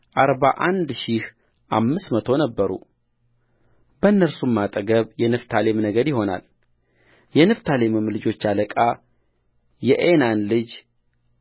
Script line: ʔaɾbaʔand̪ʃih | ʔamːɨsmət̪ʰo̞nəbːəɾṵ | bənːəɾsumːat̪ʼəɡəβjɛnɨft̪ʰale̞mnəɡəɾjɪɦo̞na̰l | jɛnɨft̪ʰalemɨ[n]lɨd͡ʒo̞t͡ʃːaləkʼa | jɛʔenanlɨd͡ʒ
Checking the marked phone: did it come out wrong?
yes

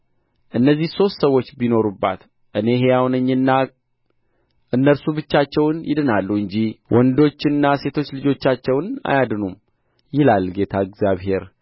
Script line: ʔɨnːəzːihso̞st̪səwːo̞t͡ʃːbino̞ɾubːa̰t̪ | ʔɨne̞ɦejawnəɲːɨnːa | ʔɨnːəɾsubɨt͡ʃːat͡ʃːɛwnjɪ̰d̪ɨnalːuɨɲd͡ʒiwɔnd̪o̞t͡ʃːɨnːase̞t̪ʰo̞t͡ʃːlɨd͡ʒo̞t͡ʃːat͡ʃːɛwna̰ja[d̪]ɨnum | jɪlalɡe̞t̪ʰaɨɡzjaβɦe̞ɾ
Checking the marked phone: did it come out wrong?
no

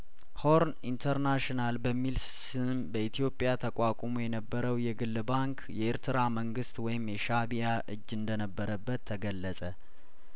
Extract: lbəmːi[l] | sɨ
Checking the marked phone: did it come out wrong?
no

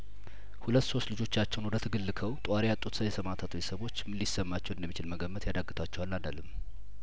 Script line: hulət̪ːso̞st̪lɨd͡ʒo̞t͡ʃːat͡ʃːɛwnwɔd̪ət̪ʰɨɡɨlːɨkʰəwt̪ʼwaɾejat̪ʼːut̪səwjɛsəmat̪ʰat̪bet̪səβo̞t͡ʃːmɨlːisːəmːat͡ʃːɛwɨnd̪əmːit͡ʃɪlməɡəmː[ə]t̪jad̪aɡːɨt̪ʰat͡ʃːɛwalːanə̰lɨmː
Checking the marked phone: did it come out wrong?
no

